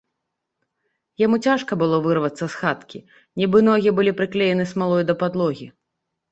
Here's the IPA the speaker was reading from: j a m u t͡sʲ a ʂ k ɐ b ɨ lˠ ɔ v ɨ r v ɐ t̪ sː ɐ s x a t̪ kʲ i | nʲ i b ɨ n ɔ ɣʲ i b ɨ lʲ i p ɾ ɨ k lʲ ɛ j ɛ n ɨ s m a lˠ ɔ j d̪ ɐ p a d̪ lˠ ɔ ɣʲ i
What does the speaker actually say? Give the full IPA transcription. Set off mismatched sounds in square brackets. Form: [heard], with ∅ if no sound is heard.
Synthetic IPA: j a m u t͡sʲ a ʂ k ɐ b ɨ lˠ ɔ v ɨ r v ɐ t̪ sː ɐ s x a t̪ kʲ i | nʲ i b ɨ n ɔ ɣʲ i b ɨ lʲ i p ɾ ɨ k lʲ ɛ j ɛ n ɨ s m a lˠ ɔ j d̪ ɐ p a d̪ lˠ ɔ ɣʲ i